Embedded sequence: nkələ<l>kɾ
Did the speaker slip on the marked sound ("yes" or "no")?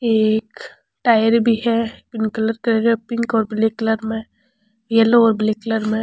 yes